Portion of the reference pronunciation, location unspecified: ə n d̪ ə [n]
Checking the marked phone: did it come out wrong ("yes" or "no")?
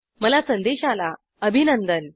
no